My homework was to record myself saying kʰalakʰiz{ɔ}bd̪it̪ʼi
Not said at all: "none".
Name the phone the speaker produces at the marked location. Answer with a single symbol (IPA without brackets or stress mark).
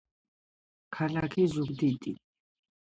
u